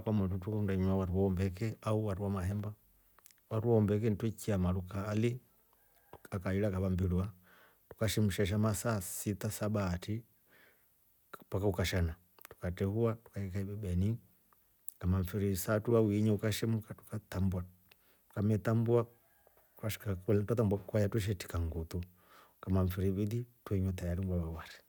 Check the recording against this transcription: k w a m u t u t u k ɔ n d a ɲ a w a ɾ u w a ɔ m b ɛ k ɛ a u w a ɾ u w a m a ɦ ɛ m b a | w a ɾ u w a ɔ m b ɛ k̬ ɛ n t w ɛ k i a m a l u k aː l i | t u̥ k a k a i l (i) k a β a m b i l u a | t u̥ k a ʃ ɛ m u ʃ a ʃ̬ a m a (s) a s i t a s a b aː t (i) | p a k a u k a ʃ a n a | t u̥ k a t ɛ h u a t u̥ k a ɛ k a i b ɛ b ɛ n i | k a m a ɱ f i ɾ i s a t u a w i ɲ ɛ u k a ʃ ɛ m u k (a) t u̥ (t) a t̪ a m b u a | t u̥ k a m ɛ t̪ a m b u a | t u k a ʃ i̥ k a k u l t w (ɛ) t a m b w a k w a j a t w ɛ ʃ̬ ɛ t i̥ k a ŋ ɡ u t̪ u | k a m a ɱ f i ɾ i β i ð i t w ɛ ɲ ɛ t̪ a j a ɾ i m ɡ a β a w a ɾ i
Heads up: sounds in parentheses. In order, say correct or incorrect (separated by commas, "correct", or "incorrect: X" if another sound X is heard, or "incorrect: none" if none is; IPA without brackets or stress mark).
incorrect: a, correct, correct, correct, incorrect: k, incorrect: a